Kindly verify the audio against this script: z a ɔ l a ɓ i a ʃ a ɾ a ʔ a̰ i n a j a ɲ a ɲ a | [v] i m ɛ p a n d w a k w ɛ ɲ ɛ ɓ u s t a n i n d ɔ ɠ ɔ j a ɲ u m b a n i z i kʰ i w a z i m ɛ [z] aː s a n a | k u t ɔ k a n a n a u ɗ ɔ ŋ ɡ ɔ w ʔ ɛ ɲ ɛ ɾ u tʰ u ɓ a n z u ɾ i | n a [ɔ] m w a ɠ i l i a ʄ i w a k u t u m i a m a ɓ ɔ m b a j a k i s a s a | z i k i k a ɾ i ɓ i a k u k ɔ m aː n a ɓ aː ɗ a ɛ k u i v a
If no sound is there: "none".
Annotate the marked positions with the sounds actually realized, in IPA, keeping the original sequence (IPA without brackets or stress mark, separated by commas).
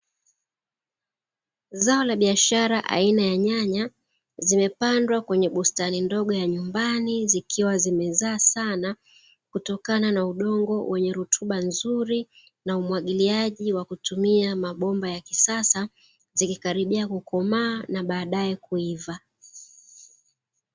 z, z, u